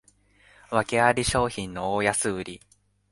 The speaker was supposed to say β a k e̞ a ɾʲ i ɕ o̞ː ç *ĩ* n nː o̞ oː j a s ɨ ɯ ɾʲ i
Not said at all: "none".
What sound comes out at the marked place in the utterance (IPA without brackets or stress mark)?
ĩ